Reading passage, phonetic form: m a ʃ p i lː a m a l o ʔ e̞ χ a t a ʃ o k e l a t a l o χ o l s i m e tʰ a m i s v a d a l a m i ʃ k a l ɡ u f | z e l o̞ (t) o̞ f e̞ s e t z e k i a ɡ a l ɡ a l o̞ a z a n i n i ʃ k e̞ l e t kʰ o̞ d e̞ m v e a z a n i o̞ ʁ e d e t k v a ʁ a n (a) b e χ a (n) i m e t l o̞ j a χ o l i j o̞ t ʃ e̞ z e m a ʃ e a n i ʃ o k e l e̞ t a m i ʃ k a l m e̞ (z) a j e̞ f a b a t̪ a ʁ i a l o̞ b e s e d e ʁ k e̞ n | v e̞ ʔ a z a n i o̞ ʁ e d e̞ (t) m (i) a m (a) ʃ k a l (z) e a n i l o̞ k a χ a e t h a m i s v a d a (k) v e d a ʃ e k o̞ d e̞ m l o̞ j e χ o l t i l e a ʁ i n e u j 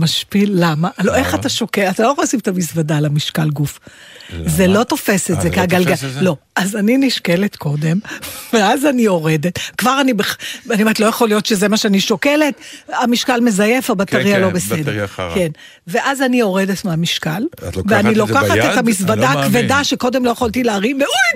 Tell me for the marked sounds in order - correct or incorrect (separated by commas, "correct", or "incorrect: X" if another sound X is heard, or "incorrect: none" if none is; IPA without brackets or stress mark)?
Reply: correct, incorrect: i, correct, correct, correct, incorrect: e, incorrect: i, incorrect: v, correct